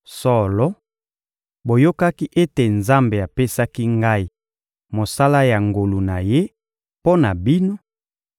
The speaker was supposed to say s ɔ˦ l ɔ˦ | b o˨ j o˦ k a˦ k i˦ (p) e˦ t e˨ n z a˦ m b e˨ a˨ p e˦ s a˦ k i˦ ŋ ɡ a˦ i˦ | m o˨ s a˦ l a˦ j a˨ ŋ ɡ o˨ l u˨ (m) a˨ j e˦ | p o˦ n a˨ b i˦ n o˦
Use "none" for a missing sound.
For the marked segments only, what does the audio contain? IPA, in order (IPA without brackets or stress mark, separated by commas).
ʔ, n